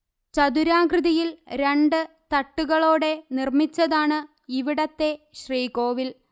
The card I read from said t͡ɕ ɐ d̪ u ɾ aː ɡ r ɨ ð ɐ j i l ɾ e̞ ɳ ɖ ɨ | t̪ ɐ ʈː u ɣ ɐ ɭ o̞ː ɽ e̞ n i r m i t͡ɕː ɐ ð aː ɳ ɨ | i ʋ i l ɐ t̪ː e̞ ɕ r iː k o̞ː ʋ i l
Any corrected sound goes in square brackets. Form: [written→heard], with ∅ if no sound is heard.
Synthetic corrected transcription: t͡ɕ ɐ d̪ u ɾ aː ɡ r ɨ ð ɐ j i l ɾ e̞ ɳ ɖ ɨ | t̪ ɐ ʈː u ɣ ɐ ɭ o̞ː ɽ e̞ n i r m i t͡ɕː ɐ ð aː ɳ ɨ | i ʋ i [l→ɽ] ɐ t̪ː e̞ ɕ r iː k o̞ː ʋ i l

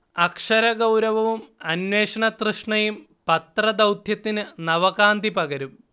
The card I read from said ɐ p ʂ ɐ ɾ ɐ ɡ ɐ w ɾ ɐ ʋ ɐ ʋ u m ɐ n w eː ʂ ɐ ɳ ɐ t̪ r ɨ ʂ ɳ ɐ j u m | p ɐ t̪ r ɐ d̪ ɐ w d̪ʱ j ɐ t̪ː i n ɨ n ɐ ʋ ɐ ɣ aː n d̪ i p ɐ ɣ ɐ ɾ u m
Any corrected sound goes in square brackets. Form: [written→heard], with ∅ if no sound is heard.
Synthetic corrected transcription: ɐ [p→k] ʂ ɐ ɾ ɐ ɡ ɐ w ɾ ɐ ʋ ɐ ʋ u m ɐ n w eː ʂ ɐ ɳ ɐ t̪ r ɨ ʂ ɳ ɐ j u m | p ɐ t̪ r ɐ d̪ ɐ w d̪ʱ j ɐ t̪ː i n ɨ n ɐ ʋ ɐ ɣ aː n d̪ i p ɐ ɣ ɐ ɾ u m

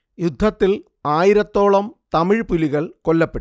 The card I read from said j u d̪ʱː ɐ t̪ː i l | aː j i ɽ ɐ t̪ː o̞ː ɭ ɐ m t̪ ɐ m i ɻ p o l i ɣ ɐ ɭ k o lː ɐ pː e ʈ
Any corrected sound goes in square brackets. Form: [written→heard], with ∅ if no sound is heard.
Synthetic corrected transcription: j u d̪ʱː ɐ t̪ː i l | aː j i [ɽ→ɾ] ɐ t̪ː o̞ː ɭ ɐ m t̪ ɐ m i ɻ p [o→u] l i ɣ ɐ ɭ k o lː ɐ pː e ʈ

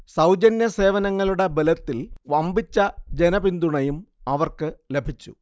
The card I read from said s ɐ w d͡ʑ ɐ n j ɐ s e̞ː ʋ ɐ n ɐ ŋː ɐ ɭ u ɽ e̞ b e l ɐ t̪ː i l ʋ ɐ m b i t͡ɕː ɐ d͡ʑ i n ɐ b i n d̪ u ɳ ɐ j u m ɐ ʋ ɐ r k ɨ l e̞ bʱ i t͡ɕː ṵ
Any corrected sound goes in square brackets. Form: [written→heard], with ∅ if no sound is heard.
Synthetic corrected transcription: s ɐ w d͡ʑ ɐ n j ɐ s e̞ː ʋ ɐ n ɐ ŋː ɐ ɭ u ɽ e̞ b e l ɐ t̪ː i l ʋ ɐ m b i t͡ɕː ɐ d͡ʑ [i→e] n ɐ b i n d̪ u ɳ ɐ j u m ɐ ʋ ɐ r k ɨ l e̞ bʱ i t͡ɕː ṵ

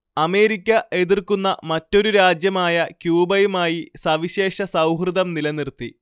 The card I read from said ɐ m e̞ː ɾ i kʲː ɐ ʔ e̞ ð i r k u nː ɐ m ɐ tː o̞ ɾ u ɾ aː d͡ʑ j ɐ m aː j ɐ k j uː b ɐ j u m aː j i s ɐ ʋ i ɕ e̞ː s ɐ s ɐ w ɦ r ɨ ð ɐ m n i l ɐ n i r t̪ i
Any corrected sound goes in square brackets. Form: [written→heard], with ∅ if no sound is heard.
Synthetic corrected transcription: ɐ m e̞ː ɾ i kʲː ɐ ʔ e̞ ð i r k u nː ɐ m ɐ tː o̞ ɾ u ɾ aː d͡ʑ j ɐ m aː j ɐ k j uː b ɐ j u m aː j i s ɐ ʋ i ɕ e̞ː [s→ʂ] ɐ s ɐ w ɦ r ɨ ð ɐ m n i l ɐ n i r t̪ i

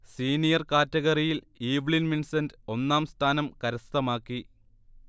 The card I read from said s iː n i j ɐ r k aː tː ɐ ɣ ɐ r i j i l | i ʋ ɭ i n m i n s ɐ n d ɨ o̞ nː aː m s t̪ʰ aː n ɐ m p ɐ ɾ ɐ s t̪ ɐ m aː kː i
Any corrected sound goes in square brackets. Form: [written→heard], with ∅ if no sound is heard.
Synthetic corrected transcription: s iː n i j ɐ r k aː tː ɐ ɣ ɐ r i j i l | [i→iː] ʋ ɭ i n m i n s ɐ n d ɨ o̞ nː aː m s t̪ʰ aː n ɐ m [p→k] ɐ ɾ ɐ s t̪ ɐ m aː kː i

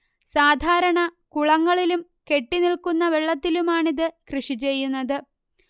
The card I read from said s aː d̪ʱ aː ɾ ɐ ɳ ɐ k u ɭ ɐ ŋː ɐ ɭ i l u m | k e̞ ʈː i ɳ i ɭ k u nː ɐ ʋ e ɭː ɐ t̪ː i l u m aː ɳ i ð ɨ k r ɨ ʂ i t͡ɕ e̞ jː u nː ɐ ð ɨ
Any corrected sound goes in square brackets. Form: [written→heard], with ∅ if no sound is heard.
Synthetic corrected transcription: s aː d̪ʱ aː ɾ ɐ ɳ ɐ k u ɭ ɐ ŋː ɐ ɭ i l u m | k e̞ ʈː i [ɳ→n] i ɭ k u nː ɐ ʋ e ɭː ɐ t̪ː i l u m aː ɳ i ð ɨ k r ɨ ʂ i t͡ɕ e̞ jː u nː ɐ ð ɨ

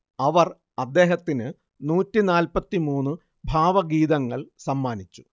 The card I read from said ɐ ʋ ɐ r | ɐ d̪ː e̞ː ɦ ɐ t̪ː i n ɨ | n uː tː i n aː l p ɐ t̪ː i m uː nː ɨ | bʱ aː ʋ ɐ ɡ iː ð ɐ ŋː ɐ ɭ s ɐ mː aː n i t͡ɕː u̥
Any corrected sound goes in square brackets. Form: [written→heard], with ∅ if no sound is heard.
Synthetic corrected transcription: ɐ ʋ ɐ r | ɐ d̪ː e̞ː ɦ ɐ t̪ː i n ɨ | n uː tː i n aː l p ɐ t̪ː i m uː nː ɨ | bʱ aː ʋ ɐ ɡ iː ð ɐ ŋː ɐ ɭ s ɐ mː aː n i t͡ɕː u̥

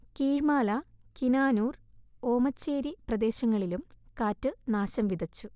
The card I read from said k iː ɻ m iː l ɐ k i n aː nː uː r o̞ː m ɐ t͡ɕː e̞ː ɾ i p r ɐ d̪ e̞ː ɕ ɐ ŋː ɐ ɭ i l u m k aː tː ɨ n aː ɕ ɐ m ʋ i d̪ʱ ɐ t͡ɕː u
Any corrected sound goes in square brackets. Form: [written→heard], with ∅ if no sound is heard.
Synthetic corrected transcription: k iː ɻ m [iː→aː] l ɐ k i n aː [nː→n] uː r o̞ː m ɐ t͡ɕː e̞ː ɾ i p r ɐ d̪ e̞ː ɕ ɐ ŋː ɐ ɭ i l u m k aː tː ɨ n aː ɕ ɐ m ʋ i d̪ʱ ɐ t͡ɕː u

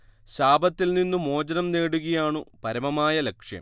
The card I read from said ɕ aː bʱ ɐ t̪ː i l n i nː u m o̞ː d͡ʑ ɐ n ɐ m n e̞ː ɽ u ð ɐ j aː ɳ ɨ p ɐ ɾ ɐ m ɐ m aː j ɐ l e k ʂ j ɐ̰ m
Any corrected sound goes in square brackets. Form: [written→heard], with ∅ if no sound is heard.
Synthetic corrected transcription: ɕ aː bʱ ɐ t̪ː i l n i nː u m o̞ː d͡ʑ ɐ n ɐ m n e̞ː ɽ u [ð→ɣ] ɐ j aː ɳ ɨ p ɐ ɾ ɐ m ɐ m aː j ɐ l e k ʂ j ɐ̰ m

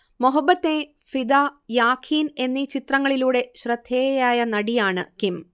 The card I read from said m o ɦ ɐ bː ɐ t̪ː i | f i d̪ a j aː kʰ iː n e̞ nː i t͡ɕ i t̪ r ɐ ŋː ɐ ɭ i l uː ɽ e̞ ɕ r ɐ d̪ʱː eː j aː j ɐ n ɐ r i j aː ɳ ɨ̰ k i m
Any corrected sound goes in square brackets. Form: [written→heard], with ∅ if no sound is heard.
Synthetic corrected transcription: m o ɦ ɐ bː ɐ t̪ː [i→e] | f i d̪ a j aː kʰ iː n e̞ nː i t͡ɕ i t̪ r ɐ ŋː ɐ ɭ i l uː ɽ e̞ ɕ r ɐ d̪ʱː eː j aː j ɐ n ɐ [r→ɽ] i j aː ɳ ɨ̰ k i m

